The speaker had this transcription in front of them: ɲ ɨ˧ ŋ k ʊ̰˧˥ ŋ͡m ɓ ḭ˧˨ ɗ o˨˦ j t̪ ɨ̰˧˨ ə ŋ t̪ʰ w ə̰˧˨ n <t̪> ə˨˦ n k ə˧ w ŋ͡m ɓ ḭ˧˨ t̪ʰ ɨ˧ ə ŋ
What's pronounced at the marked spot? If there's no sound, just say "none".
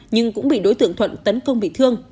t̪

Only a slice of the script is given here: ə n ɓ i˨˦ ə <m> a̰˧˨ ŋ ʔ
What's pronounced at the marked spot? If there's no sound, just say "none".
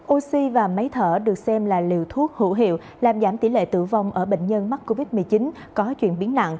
n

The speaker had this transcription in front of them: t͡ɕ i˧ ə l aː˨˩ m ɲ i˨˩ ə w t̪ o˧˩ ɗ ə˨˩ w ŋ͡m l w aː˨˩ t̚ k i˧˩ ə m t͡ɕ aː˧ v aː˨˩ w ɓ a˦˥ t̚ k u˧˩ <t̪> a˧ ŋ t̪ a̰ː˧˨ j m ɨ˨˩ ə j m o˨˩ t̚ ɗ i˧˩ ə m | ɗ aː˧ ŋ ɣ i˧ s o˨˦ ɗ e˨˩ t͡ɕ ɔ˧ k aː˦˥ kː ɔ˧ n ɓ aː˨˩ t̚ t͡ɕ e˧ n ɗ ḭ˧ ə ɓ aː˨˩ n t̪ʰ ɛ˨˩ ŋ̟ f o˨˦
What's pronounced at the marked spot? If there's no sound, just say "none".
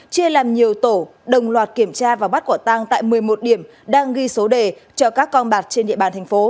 t̪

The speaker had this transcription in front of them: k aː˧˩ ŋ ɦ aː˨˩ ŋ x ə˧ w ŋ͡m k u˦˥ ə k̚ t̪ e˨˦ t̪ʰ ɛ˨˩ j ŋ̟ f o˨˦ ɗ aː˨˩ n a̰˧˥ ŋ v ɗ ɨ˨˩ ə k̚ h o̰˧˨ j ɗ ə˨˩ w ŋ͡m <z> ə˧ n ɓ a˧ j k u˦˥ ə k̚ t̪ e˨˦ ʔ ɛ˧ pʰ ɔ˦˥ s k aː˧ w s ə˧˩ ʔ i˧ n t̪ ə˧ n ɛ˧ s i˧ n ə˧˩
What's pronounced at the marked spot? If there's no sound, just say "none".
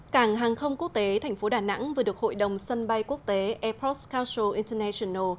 s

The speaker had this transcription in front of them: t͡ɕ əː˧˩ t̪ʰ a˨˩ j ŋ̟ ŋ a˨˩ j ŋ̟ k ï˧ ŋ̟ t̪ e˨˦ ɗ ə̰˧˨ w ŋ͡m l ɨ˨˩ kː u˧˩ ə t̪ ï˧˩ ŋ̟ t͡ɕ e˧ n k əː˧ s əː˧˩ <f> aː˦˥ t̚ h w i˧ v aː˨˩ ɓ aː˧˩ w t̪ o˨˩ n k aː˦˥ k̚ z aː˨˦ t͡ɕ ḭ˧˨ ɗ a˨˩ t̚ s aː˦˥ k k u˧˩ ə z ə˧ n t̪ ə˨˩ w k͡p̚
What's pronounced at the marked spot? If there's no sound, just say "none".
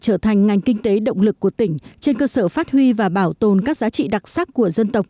f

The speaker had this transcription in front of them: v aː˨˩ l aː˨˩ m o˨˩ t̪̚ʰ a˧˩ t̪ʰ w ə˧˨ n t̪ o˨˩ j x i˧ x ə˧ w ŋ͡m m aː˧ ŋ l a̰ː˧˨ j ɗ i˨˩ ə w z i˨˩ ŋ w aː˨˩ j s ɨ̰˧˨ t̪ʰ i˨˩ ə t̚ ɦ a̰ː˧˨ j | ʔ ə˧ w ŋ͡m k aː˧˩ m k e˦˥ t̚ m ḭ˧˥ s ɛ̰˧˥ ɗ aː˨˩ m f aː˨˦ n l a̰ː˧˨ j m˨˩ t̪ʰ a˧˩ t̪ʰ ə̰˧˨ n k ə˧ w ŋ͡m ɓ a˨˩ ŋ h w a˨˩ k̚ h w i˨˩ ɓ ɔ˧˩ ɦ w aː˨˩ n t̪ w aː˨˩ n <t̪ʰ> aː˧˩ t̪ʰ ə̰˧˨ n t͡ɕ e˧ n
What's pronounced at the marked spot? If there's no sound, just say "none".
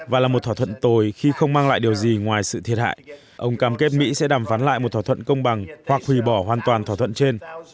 t̪ʰ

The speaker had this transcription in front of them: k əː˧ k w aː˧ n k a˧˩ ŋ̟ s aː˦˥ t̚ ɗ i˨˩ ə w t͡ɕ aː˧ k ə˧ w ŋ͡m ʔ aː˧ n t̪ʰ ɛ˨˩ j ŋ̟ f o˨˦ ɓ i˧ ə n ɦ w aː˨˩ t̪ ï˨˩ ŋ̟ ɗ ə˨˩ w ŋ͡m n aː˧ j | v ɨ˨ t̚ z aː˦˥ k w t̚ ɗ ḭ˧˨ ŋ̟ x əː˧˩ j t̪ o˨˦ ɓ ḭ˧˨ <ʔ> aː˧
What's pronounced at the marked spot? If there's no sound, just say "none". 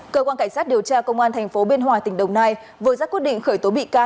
k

